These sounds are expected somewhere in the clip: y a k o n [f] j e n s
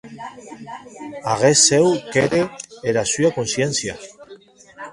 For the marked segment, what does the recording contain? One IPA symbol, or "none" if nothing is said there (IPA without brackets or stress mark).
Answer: s